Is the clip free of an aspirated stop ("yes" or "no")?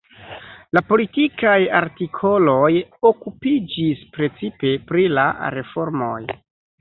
no